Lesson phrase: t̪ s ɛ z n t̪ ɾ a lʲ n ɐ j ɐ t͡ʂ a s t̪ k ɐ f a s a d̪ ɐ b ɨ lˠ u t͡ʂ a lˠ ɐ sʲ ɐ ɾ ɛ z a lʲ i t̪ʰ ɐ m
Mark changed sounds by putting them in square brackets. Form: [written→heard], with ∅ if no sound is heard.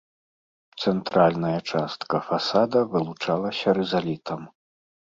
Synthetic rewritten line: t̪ s ɛ [z→∅] n t̪ ɾ a lʲ n ɐ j ɐ t͡ʂ a s t̪ k ɐ f a s a d̪ ɐ [b→v] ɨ lˠ u t͡ʂ a lˠ ɐ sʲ ɐ ɾ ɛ z a lʲ i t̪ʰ ɐ m

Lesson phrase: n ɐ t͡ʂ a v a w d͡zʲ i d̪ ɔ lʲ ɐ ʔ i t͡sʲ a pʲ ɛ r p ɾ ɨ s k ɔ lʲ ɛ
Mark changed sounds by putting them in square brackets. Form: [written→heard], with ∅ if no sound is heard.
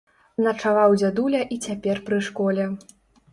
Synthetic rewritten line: n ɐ t͡ʂ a v a w d͡zʲ [i→a] d̪ [ɔ→u] lʲ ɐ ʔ i t͡sʲ a pʲ ɛ r p ɾ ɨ [s→ʂ] k ɔ lʲ ɛ

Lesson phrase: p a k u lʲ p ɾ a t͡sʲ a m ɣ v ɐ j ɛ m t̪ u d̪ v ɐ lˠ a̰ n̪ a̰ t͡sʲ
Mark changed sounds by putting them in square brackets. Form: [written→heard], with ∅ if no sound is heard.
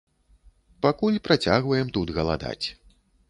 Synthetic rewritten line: p a k u lʲ p ɾ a t͡sʲ a [m→∅] ɣ v ɐ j ɛ m t̪ u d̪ [v→ɣ] ɐ lˠ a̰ [n̪→d̪] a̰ t͡sʲ

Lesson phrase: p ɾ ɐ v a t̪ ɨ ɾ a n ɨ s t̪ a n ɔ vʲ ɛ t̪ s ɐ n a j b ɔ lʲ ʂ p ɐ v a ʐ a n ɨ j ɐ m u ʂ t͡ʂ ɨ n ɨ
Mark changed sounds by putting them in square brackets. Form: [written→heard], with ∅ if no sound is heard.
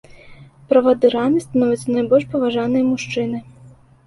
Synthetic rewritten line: p ɾ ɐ v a [t̪→d̪] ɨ ɾ a n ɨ s t̪ a n ɔ vʲ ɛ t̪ s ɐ n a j b ɔ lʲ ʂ p ɐ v a ʐ a n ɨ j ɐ m u ʂ t͡ʂ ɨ n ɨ

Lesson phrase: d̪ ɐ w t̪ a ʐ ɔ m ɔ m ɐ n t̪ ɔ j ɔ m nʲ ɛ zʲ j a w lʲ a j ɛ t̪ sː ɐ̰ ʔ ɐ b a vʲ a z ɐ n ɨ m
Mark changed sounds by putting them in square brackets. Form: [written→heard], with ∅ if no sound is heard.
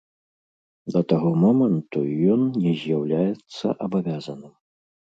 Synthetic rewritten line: d̪ ɐ [w→∅] t̪ a [ʐ→ɣ] ɔ m ɔ m ɐ n t̪ [ɔ→u] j ɔ [m→n] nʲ ɛ zʲ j a w lʲ a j ɛ t̪ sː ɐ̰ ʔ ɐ b a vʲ a z ɐ n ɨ m

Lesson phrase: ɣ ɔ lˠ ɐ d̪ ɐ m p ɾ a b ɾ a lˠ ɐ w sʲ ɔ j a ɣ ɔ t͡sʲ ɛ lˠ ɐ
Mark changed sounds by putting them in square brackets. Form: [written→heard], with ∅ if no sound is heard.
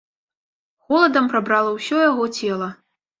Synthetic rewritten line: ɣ ɔ lˠ ɐ d̪ ɐ m p ɾ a b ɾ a lˠ ɐ w sʲ ɔ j a ɣ ɔ t͡sʲ ɛ lˠ ɐ

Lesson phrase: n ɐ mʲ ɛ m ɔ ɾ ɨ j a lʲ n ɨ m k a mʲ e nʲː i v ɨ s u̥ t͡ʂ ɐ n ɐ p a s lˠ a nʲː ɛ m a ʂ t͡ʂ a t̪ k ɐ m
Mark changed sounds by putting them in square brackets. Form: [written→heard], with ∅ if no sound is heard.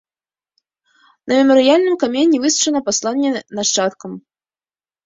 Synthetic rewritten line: n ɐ mʲ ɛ m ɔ ɾ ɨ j a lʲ n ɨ m k a mʲ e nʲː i v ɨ s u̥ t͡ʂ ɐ n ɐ p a s lˠ a nʲː ɛ [m→n] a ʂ t͡ʂ a t̪ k ɐ m

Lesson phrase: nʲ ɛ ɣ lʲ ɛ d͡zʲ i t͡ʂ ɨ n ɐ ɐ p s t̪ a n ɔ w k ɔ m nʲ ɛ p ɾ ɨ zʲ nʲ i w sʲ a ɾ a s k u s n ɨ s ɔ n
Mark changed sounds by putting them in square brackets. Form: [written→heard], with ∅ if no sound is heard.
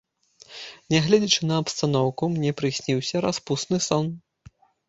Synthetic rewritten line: nʲ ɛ ɣ lʲ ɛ d͡zʲ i t͡ʂ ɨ n ɐ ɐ p s t̪ a n ɔ w k [ɔ→u] m nʲ ɛ p ɾ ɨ [zʲ→sʲ] nʲ i w sʲ [a→ɐ] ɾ a s [k→p] u s n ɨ s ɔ n

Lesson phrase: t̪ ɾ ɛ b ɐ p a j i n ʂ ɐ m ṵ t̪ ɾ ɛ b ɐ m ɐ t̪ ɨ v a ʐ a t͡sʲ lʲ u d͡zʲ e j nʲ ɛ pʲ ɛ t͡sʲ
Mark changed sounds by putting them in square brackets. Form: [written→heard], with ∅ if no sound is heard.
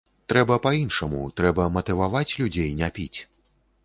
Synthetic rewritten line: t̪ ɾ ɛ b ɐ p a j i n ʂ ɐ m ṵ t̪ ɾ ɛ b ɐ m ɐ t̪ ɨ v a [ʐ→v] a t͡sʲ lʲ u d͡zʲ e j nʲ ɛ pʲ [ɛ→i] t͡sʲ

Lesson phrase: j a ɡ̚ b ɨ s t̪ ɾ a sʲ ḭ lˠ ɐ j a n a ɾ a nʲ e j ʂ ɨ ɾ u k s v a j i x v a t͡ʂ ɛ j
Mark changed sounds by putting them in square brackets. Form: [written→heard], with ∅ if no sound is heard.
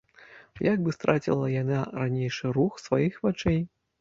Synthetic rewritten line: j a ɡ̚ b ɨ s t̪ ɾ a [sʲ→t͡sʲ] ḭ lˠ ɐ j a n a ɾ a nʲ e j ʂ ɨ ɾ u [k→x] s v a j i x v a t͡ʂ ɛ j

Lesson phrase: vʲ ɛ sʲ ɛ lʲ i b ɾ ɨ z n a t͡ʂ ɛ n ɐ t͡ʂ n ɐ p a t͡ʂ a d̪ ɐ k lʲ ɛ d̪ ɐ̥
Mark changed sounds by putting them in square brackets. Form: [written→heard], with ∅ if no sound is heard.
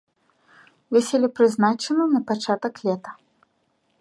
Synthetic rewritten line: vʲ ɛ sʲ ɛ lʲ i [b→p] ɾ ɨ z n a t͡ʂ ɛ n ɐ [t͡ʂ→∅] n ɐ p a t͡ʂ a [d̪→t̪] ɐ k lʲ ɛ [d̪→t̪] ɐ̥

